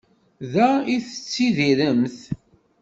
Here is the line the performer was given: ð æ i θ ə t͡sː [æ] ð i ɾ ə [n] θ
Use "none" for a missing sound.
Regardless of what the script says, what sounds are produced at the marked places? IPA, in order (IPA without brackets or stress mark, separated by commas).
i, m